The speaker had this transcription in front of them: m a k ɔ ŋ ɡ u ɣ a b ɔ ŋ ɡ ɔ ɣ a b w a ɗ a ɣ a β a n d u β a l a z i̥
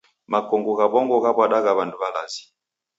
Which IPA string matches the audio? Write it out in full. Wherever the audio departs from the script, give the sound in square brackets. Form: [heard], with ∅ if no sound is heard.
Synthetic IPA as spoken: m a k ɔ ŋ ɡ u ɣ a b ɔ ŋ ɡ ɔ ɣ a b w a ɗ a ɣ a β a n d u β a l a z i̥